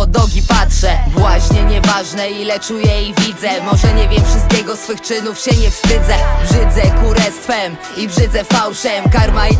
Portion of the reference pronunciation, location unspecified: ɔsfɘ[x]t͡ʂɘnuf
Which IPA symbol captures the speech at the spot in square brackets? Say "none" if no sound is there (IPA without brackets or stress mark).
x